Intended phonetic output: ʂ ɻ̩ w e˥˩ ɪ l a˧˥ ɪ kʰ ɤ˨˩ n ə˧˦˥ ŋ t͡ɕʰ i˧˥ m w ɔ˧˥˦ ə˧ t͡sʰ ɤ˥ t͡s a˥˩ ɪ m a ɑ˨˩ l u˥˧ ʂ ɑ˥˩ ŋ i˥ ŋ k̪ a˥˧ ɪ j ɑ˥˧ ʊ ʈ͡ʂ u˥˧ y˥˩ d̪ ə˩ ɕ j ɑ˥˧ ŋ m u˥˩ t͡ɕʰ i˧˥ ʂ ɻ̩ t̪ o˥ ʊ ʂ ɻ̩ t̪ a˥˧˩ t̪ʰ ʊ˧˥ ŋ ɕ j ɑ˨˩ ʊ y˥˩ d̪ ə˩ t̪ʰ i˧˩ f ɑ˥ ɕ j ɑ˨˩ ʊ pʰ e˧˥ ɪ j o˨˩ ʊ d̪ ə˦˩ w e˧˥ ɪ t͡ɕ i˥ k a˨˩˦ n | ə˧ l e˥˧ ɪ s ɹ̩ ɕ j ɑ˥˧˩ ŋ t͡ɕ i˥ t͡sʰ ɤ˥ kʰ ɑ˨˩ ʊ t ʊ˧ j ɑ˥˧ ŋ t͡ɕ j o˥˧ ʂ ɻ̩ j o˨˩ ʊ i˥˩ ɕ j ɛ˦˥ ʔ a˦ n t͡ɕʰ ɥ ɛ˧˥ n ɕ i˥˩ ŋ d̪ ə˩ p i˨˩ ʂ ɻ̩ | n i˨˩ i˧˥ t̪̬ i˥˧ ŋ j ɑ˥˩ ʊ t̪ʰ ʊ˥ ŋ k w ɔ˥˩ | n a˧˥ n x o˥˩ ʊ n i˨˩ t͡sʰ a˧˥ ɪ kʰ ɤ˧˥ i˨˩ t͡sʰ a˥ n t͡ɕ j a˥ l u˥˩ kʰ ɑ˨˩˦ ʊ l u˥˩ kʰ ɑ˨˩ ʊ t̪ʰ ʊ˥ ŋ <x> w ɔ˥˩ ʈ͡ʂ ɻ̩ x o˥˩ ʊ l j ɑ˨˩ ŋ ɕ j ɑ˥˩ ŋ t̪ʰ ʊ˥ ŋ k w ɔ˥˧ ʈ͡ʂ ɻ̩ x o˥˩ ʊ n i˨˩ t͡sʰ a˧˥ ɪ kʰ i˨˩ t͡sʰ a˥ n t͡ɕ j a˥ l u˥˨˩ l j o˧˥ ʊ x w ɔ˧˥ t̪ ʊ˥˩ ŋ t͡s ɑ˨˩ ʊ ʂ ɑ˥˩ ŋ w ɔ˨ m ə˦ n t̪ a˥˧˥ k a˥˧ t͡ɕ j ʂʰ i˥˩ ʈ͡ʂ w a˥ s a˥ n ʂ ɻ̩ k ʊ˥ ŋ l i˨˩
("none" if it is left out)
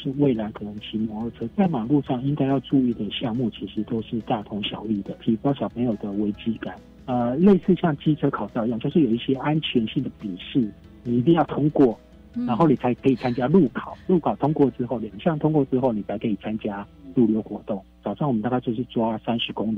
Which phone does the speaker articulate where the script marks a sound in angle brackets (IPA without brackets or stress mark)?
k